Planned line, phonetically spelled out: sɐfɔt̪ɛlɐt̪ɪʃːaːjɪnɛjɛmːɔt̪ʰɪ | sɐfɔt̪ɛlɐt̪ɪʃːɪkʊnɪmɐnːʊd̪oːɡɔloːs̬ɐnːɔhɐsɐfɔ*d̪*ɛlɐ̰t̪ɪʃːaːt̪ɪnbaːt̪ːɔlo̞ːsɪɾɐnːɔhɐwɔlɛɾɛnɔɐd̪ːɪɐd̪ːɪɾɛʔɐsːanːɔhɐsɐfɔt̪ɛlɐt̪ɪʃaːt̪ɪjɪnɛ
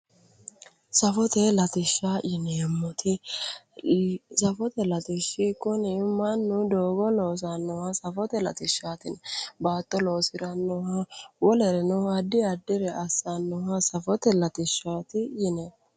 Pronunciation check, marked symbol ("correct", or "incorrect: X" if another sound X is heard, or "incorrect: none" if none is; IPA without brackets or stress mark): incorrect: t̪